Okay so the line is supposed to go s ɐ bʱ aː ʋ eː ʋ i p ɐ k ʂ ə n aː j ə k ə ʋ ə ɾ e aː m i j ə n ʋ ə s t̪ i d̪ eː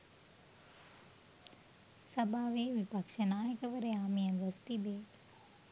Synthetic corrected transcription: s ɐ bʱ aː ʋ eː ʋ i p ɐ k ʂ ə n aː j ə k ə ʋ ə ɾ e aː m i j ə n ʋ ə s t̪ i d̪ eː